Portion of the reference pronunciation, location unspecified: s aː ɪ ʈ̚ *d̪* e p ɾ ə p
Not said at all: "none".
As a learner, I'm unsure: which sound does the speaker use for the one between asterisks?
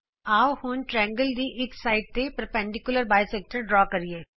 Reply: t̪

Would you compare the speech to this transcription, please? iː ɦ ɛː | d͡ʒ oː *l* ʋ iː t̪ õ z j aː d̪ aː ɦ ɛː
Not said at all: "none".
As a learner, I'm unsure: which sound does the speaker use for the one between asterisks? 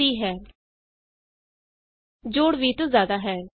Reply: ɽ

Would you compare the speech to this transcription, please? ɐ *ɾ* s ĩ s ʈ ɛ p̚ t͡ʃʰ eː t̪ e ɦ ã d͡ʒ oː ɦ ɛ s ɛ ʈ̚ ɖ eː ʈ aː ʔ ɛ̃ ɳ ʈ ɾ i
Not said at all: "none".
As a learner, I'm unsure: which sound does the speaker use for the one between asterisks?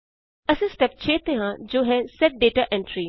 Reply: none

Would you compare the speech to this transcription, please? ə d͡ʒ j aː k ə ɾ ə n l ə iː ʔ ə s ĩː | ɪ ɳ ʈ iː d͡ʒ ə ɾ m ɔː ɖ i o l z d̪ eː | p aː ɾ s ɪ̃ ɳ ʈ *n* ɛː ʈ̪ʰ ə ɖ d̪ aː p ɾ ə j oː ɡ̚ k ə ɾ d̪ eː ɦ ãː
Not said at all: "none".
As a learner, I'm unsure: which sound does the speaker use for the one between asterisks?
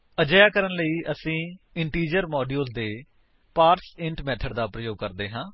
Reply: m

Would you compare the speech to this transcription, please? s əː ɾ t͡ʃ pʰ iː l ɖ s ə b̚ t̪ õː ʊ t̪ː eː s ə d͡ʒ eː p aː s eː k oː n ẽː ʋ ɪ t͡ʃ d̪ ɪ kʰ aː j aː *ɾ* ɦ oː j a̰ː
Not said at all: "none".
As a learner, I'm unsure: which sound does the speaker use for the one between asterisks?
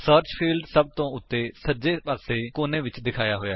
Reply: none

